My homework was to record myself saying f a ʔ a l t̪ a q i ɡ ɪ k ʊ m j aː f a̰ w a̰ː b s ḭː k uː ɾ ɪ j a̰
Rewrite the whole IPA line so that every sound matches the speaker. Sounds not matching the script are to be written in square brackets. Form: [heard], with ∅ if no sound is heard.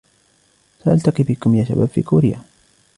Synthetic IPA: [s] a ʔ a l t̪ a q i [b] ɪ k ʊ m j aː [ʃ] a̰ [b] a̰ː b [f] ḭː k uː ɾ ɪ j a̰